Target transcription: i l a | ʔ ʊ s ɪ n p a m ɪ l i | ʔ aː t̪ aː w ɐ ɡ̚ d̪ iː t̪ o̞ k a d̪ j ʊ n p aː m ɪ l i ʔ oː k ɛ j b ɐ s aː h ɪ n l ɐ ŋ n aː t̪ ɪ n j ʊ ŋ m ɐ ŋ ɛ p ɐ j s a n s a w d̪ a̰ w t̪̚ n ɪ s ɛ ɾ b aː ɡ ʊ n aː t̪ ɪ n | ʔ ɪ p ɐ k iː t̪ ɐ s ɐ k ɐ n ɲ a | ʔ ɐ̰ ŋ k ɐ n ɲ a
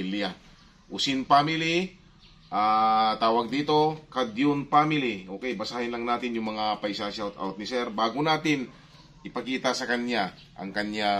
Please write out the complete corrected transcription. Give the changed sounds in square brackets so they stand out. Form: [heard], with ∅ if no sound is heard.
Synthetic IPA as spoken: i l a | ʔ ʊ s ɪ n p a m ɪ l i | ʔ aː t̪ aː w ɐ ɡ̚ d̪ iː t̪ o̞ k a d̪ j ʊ n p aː m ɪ l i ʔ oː k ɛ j b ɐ s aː h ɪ n l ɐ ŋ n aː t̪ ɪ n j ʊ ŋ m ɐ ŋ [a] p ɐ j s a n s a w [t̪] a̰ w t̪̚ n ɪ s ɛ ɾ b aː ɡ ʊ n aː t̪ ɪ n | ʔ ɪ p ɐ k iː t̪ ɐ s ɐ k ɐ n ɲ a | ʔ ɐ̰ ŋ k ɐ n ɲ a